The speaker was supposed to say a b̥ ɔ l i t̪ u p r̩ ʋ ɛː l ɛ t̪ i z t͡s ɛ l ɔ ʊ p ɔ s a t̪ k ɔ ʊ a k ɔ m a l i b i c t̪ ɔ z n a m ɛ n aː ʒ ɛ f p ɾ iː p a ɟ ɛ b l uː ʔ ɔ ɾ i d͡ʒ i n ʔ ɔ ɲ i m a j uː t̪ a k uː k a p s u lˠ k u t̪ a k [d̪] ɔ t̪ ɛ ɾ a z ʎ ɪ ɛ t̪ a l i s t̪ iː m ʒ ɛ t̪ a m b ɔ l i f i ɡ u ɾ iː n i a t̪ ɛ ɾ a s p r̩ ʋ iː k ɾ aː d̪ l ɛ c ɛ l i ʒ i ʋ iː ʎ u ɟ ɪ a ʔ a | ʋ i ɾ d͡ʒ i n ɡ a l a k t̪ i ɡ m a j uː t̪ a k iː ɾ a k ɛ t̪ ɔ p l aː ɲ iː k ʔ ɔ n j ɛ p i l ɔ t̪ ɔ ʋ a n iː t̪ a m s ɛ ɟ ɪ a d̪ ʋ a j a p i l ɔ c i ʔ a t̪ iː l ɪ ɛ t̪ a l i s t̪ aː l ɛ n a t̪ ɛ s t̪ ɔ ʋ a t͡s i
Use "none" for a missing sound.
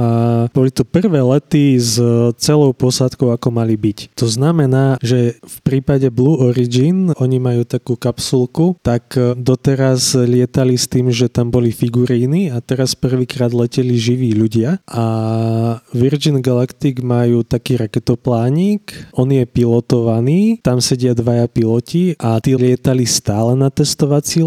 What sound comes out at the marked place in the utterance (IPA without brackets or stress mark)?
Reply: d̪